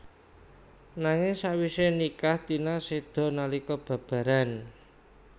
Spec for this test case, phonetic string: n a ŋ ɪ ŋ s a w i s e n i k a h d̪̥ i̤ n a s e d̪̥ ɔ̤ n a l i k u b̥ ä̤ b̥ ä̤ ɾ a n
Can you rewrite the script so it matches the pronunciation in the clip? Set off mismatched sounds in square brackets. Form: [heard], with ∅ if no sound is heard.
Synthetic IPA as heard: n a ŋ ɪ ŋ s a w i s e n i k a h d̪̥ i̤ n a s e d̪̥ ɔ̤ n a l i k [ɔ] b̥ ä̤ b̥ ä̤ ɾ a n